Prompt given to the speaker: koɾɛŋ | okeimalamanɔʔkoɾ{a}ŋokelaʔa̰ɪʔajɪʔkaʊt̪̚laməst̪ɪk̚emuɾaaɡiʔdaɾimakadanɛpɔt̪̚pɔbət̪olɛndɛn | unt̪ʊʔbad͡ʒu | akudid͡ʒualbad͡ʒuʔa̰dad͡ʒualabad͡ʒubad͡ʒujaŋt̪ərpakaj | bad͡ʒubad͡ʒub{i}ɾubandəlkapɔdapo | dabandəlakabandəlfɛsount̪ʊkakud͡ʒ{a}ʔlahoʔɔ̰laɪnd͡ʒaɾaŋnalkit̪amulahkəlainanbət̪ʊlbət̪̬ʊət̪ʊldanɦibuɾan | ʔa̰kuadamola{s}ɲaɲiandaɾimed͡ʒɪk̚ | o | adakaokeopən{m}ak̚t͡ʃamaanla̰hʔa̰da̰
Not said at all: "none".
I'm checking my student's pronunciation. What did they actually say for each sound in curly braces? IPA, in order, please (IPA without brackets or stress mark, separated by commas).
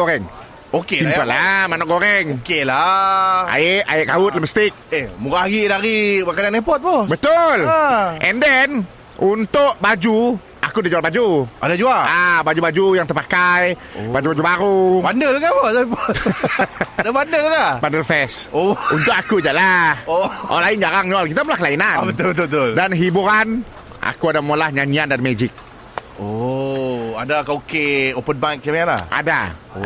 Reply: ɛ, a, a, h, b